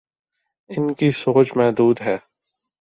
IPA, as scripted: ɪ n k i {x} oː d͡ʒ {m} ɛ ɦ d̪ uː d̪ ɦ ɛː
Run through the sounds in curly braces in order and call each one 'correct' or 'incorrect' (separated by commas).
incorrect, correct